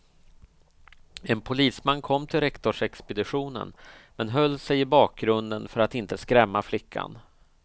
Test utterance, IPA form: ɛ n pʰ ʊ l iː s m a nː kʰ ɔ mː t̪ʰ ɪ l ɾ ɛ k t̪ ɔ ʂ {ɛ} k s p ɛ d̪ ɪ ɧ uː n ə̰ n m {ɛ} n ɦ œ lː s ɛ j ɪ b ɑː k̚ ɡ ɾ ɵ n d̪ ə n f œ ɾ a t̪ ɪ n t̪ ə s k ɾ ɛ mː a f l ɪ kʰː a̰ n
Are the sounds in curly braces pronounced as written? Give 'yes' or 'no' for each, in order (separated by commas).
yes, yes